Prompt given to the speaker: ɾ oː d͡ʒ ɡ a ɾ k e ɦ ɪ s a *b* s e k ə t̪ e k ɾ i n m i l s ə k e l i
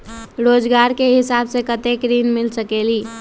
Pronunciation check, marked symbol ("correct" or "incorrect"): correct